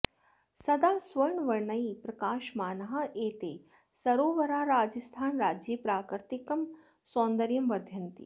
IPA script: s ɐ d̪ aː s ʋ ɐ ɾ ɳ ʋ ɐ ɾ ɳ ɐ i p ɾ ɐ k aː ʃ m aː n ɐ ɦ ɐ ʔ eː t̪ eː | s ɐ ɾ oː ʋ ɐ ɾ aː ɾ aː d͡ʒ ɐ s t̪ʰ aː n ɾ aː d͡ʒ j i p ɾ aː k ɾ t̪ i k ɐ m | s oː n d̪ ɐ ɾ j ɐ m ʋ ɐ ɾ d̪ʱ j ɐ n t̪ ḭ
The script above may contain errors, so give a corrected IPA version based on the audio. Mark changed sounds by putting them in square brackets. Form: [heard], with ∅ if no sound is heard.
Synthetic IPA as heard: s ɐ d̪ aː s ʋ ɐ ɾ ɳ ʋ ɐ ɾ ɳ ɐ i p ɾ ɐ k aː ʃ m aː n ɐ ɦ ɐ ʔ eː t̪ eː | s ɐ ɾ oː ʋ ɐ ɾ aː ɾ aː d͡ʒ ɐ s t̪ʰ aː n ɾ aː d͡ʒ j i p ɾ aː k ɾ t̪ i k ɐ m | s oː n d̪ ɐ ɾ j ɐ m ʋ ɐ ɾ d̪ʱ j ɐ n t̪ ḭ

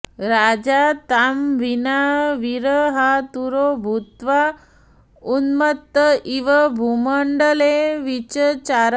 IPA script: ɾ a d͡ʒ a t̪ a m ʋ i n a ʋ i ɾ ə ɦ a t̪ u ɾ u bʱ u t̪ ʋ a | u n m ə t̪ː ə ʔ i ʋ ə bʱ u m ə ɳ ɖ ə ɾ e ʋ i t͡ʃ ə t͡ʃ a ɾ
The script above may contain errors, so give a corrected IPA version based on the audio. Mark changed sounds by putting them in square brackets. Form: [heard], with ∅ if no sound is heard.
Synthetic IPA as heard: ɾ a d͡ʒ a t̪ a m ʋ i n a ʋ i ɾ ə ɦ a t̪ u ɾ [o] bʱ u t̪ ʋ a | u n m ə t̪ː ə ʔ i ʋ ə bʱ u m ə ɳ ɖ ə [l] e ʋ i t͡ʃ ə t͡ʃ a ɾ

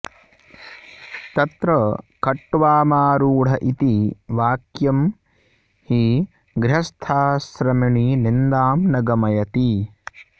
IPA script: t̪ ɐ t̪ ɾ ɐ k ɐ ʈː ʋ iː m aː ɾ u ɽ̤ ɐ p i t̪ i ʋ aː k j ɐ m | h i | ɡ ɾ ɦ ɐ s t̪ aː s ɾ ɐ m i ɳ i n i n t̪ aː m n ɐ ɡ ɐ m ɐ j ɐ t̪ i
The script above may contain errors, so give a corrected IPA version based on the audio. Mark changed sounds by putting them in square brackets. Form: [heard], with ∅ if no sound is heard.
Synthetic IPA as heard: t̪ ɐ t̪ ɾ ɐ k ɐ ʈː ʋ [aː] m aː ɾ [uː] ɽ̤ ɐ [ʔ] i t̪ i ʋ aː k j ɐ m | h i | ɡ ɾ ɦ ɐ s [t̪ʰ] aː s ɾ ɐ m i ɳ i n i n [d̪] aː m n ɐ ɡ ɐ m ɐ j ɐ t̪ i

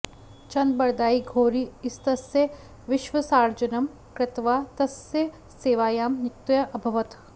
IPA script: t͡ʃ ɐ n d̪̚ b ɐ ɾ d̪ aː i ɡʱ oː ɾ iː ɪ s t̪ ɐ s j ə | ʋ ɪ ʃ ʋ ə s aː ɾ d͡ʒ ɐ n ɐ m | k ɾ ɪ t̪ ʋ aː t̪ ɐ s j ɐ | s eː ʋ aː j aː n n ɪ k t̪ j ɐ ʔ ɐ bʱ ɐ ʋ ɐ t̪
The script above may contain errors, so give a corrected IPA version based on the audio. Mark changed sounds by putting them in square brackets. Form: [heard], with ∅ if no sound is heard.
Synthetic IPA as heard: t͡ʃ ɐ n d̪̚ b ɐ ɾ d̪ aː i ɡʱ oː ɾ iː ɪ s t̪ ɐ s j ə | ʋ ɪ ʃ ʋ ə s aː ɾ d͡ʒ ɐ n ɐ m | k ɾ ɪ t̪ ʋ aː t̪ ɐ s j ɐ | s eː ʋ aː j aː [m] n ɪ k t̪ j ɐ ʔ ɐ bʱ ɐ ʋ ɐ t̪

